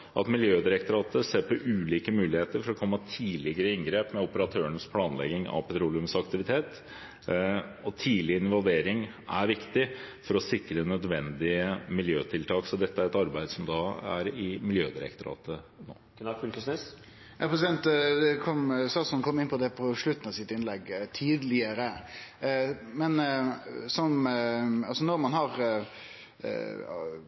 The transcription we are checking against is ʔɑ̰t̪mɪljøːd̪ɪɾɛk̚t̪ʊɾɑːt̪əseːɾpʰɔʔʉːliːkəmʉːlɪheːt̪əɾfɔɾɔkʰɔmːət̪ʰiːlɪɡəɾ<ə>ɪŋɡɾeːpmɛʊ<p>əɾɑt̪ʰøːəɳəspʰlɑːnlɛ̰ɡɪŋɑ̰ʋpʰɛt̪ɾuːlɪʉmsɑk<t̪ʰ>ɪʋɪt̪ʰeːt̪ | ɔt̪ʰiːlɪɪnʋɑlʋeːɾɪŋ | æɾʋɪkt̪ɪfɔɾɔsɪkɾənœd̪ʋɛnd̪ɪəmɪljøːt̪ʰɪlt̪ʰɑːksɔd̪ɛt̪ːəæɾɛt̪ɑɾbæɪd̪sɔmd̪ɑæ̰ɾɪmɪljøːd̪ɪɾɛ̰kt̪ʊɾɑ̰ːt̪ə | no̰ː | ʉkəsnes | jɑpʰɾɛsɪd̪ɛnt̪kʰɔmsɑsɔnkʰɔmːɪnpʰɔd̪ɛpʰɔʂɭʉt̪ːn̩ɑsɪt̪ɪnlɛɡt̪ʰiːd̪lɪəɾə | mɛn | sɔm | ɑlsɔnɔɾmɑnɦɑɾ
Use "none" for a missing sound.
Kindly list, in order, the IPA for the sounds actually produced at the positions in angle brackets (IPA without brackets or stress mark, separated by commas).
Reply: ə, p, t̪